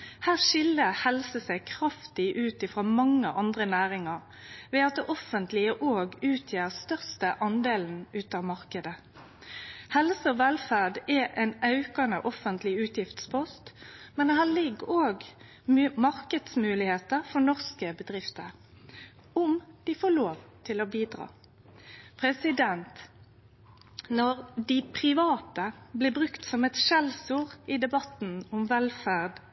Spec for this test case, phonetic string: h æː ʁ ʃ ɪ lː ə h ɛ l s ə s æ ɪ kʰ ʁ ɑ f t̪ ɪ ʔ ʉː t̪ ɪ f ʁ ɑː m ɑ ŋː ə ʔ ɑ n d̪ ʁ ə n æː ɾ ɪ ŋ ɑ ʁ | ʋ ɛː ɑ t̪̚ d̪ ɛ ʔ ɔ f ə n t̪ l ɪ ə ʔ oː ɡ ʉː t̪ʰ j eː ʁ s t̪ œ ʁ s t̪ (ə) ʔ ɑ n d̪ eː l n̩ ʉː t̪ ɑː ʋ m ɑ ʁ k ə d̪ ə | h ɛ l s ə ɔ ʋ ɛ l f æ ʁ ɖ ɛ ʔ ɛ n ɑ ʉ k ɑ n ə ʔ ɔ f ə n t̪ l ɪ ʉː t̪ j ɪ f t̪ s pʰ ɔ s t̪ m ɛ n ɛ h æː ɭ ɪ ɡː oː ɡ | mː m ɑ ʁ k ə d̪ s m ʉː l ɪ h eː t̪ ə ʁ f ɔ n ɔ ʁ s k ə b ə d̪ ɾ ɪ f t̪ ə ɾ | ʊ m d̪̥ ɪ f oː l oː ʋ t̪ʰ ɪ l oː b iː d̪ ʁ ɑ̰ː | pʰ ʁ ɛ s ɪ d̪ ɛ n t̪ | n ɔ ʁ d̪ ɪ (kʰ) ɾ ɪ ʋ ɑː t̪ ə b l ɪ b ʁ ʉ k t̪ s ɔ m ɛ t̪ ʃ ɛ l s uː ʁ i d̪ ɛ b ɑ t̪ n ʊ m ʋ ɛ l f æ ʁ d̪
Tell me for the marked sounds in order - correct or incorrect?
correct, incorrect: pʰ

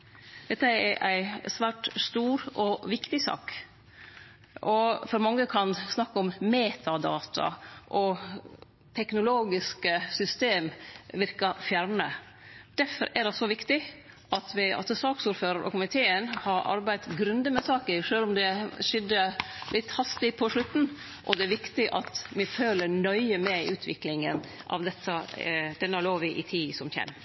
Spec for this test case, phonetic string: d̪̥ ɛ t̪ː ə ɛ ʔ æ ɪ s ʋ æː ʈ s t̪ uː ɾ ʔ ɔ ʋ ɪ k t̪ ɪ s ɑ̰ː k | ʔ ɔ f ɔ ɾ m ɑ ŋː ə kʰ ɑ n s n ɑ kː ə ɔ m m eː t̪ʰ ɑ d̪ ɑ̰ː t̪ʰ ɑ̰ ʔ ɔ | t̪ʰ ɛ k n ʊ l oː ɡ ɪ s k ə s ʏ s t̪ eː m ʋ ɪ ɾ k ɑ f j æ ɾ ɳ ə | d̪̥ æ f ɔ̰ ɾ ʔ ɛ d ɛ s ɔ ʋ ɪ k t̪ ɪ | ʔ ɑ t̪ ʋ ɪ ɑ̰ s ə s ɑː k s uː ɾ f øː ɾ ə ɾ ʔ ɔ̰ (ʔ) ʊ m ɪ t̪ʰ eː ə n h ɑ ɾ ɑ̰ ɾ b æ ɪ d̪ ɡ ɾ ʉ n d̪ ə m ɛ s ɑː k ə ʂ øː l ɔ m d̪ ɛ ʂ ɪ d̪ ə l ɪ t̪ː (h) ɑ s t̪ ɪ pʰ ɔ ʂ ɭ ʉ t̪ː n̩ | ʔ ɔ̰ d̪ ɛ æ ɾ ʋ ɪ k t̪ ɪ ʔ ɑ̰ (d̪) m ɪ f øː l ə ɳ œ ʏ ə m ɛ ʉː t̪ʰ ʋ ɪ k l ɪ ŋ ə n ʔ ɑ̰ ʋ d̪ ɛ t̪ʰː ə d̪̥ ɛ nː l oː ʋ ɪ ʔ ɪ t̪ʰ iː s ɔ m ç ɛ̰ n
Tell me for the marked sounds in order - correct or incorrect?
incorrect: k, correct, incorrect: t̪

